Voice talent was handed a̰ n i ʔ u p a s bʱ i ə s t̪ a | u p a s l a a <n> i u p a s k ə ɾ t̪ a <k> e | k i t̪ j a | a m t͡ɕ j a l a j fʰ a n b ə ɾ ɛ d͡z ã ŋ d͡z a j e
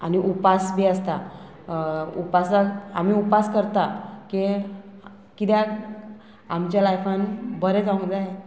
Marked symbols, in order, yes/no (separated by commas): no, yes